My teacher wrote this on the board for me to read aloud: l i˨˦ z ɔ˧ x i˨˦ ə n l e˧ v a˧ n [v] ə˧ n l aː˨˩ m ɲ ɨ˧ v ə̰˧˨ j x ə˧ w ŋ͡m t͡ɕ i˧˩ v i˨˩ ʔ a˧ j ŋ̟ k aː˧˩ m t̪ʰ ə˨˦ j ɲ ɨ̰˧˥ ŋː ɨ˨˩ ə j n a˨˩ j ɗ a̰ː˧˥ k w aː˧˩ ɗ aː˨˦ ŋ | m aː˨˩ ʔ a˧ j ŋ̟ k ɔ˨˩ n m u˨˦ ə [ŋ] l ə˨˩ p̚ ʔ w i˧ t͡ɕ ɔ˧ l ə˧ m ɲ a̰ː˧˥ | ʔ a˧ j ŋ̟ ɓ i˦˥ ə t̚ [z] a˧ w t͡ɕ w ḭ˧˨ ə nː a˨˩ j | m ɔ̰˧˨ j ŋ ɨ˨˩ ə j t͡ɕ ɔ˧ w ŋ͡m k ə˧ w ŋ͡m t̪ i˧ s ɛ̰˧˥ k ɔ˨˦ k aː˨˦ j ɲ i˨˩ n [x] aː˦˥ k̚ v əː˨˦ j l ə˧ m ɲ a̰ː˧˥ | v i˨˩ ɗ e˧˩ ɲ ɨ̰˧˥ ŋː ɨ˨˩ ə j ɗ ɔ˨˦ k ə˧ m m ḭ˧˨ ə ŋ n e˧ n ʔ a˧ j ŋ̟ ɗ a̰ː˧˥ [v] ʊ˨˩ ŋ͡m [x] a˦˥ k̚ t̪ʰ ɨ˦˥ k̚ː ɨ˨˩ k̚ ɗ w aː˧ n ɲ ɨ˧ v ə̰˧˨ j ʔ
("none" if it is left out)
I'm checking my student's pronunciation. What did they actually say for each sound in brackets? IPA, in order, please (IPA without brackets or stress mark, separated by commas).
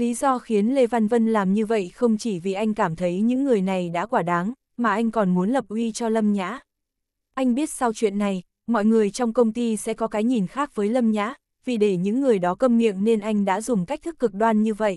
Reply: v, n, s, x, z, k